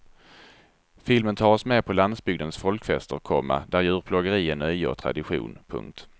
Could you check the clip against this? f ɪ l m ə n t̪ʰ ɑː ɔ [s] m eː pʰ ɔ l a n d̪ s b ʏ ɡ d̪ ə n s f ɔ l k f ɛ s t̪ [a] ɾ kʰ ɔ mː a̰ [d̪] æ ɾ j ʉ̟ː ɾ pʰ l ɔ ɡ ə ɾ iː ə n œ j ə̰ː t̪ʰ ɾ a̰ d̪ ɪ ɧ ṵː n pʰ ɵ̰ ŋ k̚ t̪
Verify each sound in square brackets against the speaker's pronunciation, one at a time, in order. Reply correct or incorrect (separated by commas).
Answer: correct, incorrect, correct